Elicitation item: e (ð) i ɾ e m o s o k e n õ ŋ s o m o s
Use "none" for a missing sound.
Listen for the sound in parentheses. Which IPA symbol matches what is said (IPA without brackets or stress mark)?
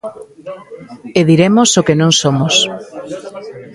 ð